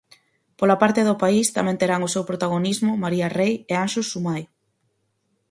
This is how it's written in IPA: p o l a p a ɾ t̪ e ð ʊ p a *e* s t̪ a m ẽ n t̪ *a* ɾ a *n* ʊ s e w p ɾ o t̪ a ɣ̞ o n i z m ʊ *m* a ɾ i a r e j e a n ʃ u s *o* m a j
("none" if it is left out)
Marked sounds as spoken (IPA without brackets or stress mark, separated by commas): i, e, ŋ, m, u